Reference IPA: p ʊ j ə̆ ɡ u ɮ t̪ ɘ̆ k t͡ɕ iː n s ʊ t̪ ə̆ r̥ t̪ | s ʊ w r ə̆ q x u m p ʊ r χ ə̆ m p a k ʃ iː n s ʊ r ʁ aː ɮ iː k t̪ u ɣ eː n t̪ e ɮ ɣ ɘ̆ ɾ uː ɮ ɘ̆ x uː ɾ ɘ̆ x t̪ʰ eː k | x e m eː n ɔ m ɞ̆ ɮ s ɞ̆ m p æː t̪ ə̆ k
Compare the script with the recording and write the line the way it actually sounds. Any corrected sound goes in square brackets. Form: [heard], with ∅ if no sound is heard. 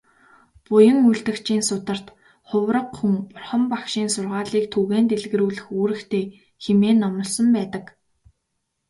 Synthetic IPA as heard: p ʊ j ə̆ [ŋ] u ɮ t̪ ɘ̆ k t͡ɕ iː n s ʊ t̪ ə̆ r̥ t̪ | [χ] ʊ w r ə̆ q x u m p ʊ r χ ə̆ m p a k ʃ iː n s ʊ r ʁ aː ɮ iː k [t̪ʰ] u ɣ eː n t̪ e ɮ ɣ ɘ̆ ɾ uː ɮ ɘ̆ x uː ɾ ɘ̆ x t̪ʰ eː [∅] | x e m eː n ɔ m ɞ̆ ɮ s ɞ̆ m p æː t̪ ə̆ k

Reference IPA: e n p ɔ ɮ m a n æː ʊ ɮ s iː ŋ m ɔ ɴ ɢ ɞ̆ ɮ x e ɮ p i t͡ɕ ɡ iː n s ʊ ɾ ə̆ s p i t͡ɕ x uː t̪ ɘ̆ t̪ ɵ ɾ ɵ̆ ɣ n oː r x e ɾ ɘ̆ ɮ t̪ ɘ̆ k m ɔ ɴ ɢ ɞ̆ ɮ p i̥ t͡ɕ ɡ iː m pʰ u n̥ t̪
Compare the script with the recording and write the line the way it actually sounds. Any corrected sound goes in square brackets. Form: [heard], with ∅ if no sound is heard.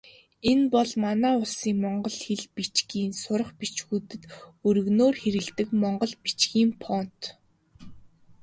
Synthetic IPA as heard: e n p ɔ ɮ m a n æː ʊ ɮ s iː ŋ m ɔ ɴ ɢ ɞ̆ ɮ x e ɮ p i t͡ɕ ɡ iː n s ʊ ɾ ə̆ [χ] p i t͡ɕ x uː t̪ ɘ̆ t̪ ɵ ɾ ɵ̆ ɣ n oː r x e ɾ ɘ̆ ɮ t̪ ɘ̆ k m ɔ ɴ ɢ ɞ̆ ɮ p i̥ t͡ɕ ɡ iː m pʰ [ɔ] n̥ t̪

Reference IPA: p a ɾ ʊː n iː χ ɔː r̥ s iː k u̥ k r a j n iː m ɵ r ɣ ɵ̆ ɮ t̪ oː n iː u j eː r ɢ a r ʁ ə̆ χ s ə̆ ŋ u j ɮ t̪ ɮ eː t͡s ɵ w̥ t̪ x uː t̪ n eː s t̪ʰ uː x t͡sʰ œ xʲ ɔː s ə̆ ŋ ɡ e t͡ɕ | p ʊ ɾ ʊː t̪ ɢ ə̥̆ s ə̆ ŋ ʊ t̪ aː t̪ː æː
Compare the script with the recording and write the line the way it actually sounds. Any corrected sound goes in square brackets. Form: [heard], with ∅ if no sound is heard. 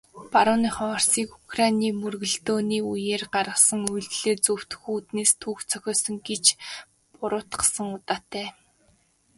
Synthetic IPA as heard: p a ɾ ʊː n iː χ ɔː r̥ s iː k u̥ k r a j n iː m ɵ r ɣ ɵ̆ ɮ t̪ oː n iː u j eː r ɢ a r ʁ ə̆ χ s ə̆ ŋ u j ɮ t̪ ɮ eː t͡s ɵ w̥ t̪ x uː t̪ n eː s t̪ʰ uː x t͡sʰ œ xʲ ɔː s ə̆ ŋ ɡ e t͡ɕ | p ʊ ɾ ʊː t̪ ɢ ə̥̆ s ə̆ ŋ ʊ t̪ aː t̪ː æː

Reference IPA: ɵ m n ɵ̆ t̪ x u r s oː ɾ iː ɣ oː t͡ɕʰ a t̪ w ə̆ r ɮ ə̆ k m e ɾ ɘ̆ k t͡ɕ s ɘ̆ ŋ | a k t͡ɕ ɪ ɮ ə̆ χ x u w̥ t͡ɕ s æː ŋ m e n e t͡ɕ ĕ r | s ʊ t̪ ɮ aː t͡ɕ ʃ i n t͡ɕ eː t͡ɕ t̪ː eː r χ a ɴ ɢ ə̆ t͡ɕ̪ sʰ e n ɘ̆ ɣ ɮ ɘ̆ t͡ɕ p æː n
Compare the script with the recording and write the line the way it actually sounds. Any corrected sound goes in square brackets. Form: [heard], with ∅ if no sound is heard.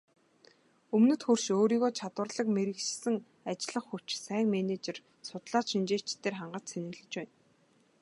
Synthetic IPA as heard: ɵ m n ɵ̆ t̪ x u r [ʃ] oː ɾ iː ɣ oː t͡ɕʰ a t̪ w ə̆ r ɮ ə̆ k m e ɾ ɘ̆ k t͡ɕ s ɘ̆ ŋ | a [∅] t͡ɕ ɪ ɮ ə̆ χ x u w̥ t͡ɕ s æː ŋ m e n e t͡ɕ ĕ r | s ʊ t̪ ɮ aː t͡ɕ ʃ i n t͡ɕ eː t͡ɕ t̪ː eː r χ a ɴ ɢ ə̆ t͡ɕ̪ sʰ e n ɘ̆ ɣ ɮ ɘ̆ t͡ɕ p æː n

